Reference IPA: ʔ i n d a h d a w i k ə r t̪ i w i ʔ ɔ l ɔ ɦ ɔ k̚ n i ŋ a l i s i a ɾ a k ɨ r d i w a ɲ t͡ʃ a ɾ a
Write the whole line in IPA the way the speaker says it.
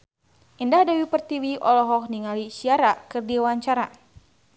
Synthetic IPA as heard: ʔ i n d a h d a w i p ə r t̪ i w i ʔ ɔ l ɔ ɦ ɔ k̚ n i ŋ a l i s i a ɾ a k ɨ r d i w a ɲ t͡ʃ a ɾ a